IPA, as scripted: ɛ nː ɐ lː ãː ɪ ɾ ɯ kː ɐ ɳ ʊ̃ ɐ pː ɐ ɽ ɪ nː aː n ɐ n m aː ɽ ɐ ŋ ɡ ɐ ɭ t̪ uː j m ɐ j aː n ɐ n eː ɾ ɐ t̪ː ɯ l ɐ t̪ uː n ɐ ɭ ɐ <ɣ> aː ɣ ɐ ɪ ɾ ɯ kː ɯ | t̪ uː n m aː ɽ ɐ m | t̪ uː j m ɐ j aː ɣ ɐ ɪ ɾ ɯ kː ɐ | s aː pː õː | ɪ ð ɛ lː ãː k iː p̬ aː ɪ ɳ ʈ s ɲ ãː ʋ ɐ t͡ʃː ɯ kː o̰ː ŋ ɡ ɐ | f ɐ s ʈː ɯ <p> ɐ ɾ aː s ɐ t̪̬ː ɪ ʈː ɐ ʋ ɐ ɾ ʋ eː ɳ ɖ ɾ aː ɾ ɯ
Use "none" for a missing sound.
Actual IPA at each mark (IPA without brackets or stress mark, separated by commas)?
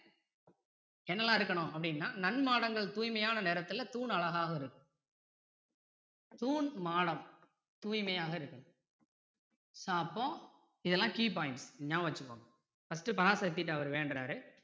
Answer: ɣ, p